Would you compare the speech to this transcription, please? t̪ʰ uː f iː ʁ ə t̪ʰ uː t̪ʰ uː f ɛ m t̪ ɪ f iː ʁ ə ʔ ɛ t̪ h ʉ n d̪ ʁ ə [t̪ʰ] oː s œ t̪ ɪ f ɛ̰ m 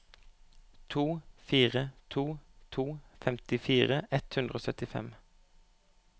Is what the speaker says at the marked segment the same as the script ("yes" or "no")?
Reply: no